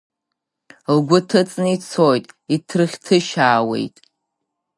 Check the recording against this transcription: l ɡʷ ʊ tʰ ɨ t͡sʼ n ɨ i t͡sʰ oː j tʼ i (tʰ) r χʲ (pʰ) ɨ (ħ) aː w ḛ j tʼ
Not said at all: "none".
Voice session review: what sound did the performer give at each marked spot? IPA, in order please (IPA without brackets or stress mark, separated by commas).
tʰ, tʰ, ʃ